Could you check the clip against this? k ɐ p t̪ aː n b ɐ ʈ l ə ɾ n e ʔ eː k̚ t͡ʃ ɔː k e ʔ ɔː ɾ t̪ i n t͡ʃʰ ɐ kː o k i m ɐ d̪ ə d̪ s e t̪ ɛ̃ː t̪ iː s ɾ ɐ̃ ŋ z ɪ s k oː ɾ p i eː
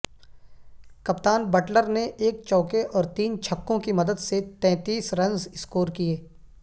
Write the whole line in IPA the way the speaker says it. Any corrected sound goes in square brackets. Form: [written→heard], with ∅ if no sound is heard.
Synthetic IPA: k ɐ p t̪ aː n b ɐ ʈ l ə ɾ n e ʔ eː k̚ t͡ʃ ɔː k e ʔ ɔː ɾ t̪ [i→iː] n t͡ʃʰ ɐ kː [o→õ] k i m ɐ d̪ ə d̪ s e t̪ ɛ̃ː t̪ iː s ɾ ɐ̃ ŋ z ɪ s k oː ɾ [p→k] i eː